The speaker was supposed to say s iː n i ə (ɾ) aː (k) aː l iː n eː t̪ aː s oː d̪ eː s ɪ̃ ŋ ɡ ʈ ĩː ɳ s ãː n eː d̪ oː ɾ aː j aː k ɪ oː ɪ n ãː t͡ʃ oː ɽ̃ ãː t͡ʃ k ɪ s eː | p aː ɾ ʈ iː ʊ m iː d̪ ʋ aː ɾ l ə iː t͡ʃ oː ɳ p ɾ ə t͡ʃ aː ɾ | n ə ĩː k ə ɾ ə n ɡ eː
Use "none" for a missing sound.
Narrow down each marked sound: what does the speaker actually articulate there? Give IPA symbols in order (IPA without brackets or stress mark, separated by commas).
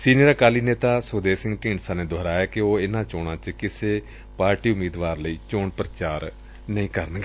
ɾ, k